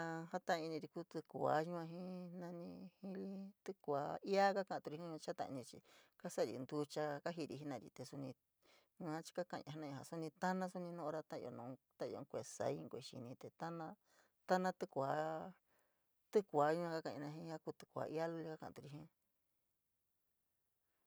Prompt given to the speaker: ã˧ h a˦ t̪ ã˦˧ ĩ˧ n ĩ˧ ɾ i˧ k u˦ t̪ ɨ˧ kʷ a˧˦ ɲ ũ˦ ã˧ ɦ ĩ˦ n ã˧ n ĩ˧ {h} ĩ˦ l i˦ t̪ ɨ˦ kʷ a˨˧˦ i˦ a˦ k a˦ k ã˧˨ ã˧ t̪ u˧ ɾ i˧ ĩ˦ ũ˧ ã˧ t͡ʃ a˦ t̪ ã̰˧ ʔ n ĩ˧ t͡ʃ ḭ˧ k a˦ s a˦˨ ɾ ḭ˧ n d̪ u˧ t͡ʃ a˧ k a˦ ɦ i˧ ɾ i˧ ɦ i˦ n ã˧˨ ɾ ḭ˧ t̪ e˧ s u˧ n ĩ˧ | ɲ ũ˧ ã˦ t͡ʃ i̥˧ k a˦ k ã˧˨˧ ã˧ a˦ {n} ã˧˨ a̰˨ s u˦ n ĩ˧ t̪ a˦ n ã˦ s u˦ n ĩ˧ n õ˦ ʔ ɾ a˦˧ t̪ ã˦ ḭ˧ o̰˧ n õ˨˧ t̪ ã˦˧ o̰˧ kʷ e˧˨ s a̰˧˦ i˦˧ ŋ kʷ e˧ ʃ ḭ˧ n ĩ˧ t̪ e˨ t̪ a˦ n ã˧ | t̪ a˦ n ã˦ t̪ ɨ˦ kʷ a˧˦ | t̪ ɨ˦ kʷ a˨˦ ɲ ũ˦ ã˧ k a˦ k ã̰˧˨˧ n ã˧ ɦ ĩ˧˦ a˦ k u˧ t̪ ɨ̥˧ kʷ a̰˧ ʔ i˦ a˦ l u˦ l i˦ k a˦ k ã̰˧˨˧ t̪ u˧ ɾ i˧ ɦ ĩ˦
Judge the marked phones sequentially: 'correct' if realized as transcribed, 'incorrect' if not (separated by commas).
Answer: correct, correct